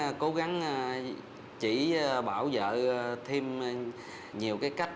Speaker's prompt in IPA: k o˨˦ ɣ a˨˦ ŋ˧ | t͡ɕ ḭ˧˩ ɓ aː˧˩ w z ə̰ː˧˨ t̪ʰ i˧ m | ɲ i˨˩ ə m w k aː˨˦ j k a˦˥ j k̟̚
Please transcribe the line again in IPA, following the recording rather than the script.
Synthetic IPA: k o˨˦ ɣ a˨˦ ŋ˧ | t͡ɕ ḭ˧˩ ɓ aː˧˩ w z ə̰ː˧˨ t̪ʰ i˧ m | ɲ i˨˩ ə w k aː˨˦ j k a˦˥ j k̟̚